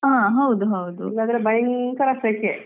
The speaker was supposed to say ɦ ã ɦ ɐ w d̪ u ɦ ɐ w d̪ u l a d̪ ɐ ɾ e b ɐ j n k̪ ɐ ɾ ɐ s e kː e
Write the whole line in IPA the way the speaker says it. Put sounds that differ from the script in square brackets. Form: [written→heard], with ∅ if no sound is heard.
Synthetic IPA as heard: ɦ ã ɦ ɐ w d̪ u ɦ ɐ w d̪ u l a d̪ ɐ ɾ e b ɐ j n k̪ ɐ ɾ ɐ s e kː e